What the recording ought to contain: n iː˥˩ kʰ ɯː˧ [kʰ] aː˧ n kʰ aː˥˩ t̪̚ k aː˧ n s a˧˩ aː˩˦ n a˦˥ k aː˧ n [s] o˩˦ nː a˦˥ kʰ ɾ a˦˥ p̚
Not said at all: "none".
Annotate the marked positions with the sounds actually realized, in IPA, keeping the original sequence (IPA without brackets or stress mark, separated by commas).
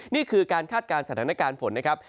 k, f